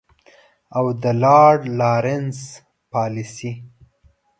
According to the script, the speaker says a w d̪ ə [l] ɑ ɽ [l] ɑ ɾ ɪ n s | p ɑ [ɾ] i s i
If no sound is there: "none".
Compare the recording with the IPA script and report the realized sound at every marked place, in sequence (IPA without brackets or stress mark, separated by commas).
l, l, l